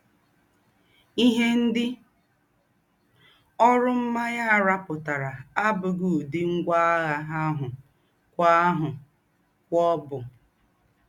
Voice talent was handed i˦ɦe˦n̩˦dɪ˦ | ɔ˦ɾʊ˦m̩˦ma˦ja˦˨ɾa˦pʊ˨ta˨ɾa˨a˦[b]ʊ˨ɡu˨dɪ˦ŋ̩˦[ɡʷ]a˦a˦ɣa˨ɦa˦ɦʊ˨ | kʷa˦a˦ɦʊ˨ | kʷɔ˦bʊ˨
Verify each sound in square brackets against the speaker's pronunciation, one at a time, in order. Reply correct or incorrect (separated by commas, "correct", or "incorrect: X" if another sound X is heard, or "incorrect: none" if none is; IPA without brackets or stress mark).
correct, correct